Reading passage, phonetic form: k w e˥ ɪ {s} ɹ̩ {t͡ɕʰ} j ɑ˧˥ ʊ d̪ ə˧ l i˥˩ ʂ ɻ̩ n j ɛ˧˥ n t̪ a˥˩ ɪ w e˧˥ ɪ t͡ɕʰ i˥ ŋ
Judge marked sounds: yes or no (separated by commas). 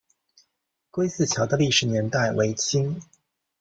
yes, yes